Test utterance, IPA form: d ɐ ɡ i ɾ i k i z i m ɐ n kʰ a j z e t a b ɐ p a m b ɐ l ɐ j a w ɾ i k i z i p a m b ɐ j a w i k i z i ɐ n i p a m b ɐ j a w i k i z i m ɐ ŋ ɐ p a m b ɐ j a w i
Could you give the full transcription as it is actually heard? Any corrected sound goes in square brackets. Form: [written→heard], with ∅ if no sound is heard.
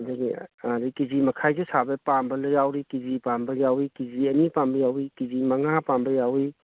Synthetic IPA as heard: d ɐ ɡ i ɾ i k i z i m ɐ [n→∅] kʰ a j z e [t→s] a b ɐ p a m b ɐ l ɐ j a w ɾ i k i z i p a m b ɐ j a w i k i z i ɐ n i p a m b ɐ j a w i k i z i m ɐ ŋ [ɐ→a] p a m b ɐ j a w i

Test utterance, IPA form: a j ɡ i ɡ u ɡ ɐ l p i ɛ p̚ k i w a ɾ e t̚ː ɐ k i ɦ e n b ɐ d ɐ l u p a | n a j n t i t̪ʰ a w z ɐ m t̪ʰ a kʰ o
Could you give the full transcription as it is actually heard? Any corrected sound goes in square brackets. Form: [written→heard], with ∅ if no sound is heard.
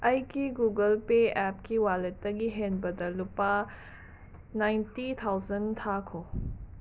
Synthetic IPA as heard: [a→ɐ] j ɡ i ɡ u ɡ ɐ l p [i→e] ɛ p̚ k i w a [ɾ→l] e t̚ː ɐ [k→ɡ] i ɦ e n b ɐ d ɐ l u p a | n a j n t i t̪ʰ a w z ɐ [m→n] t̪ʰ a kʰ o

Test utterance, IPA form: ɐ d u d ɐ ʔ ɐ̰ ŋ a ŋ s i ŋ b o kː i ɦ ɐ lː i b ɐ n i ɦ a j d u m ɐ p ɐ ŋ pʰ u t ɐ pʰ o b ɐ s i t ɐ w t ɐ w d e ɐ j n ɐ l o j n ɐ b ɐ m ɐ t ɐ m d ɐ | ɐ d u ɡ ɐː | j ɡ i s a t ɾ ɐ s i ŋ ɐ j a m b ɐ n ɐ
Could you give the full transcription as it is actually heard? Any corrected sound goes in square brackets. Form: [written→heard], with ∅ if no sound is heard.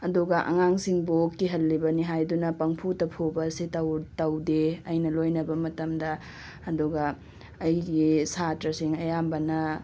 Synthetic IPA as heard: ɐ d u [d→ɡ] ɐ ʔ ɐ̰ ŋ a ŋ s i ŋ b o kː i ɦ ɐ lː i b ɐ n i ɦ a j d u [m→n] ɐ p ɐ ŋ pʰ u t ɐ pʰ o b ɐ s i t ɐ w t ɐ w d e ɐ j n ɐ l o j n ɐ b ɐ m ɐ t ɐ m d ɐ | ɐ d u ɡ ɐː | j ɡ i s a t ɾ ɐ s i ŋ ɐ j a m b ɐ n ɐ

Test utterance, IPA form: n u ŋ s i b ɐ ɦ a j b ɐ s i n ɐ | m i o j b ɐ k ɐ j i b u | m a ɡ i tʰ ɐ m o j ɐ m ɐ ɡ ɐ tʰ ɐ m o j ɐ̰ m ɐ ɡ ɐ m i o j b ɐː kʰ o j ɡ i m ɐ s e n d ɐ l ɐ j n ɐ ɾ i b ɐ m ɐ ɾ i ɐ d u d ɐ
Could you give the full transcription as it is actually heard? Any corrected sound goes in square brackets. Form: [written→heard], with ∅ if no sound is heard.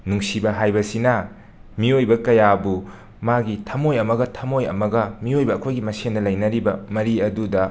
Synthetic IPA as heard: n u ŋ s i b ɐ ɦ a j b ɐ s i n ɐ | m i o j b ɐ k ɐ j [i→a] b u | m a ɡ i tʰ ɐ m o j ɐ m ɐ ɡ ɐ tʰ ɐ m o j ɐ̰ m ɐ ɡ ɐ m i o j b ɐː kʰ o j ɡ i m ɐ s e n d ɐ l ɐ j n ɐ ɾ i b ɐ m ɐ ɾ i ɐ d u d ɐ

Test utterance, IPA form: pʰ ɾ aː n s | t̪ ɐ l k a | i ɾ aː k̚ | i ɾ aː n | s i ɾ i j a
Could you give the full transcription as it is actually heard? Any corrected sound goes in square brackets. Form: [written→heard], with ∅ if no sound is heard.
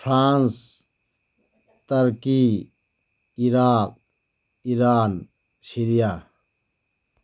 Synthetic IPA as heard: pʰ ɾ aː n s | t̪ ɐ [l→ɾ] k [a→i] | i ɾ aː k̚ | i ɾ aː n | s i ɾ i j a

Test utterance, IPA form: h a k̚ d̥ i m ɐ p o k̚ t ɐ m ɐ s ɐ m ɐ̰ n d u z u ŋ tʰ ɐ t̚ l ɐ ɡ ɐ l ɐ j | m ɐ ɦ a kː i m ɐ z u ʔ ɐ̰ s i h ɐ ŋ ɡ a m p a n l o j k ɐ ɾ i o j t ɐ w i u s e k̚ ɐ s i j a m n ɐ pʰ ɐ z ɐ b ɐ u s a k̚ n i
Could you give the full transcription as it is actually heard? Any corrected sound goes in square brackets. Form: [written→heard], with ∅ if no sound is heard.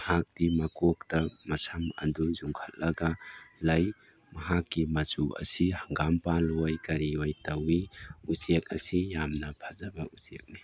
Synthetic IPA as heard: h a k̚ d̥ i m ɐ [p→k] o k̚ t ɐ m ɐ s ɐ m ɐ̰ n d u z u ŋ [tʰ→kʰ] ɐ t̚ l ɐ ɡ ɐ l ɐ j | m ɐ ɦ a kː i m ɐ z u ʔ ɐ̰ s i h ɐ ŋ ɡ a m p a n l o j k ɐ ɾ i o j t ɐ w i u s e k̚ ɐ s i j a m n ɐ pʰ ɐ z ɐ b ɐ u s [a→e] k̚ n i

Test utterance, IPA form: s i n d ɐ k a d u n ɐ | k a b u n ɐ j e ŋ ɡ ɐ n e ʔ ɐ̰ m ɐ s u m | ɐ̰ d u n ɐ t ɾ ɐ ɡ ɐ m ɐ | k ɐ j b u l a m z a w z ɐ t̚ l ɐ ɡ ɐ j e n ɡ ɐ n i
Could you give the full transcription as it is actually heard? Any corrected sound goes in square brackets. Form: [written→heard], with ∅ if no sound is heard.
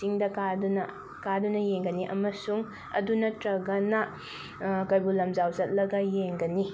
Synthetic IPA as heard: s i [n→ŋ] d ɐ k a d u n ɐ | k a [b→d] u n ɐ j e ŋ ɡ ɐ n [e→i] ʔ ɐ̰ m ɐ s u [m→ŋ] | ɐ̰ d u n ɐ t ɾ ɐ ɡ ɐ [m→n] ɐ | k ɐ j b u l [a→ɐ] m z a w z ɐ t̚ l ɐ ɡ ɐ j e [n→ŋ] ɡ ɐ n i

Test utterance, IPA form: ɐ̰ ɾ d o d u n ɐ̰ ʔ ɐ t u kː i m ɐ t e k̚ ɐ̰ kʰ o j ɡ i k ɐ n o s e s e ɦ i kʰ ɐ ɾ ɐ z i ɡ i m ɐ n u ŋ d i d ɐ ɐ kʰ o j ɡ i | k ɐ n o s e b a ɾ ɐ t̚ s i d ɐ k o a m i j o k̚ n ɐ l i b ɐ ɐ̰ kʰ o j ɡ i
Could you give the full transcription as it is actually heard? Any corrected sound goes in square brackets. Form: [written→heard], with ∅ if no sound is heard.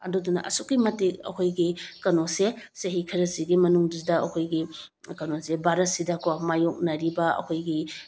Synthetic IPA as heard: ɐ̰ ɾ d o d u n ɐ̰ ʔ ɐ [t→s] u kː i m ɐ t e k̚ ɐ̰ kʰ o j ɡ i k ɐ n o s e s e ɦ i kʰ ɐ ɾ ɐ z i ɡ i m ɐ n u ŋ d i d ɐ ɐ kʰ o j ɡ i | k ɐ n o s e b a ɾ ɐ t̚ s i d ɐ k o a m [i→a] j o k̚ n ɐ [l→ɾ] i b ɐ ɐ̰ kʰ o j ɡ i

